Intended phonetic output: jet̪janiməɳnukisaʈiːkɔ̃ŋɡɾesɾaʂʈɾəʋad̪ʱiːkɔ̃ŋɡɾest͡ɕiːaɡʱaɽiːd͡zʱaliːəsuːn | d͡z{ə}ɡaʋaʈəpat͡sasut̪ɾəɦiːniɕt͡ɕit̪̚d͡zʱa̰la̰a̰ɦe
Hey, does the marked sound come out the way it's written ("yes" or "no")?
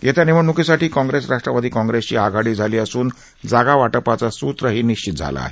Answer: no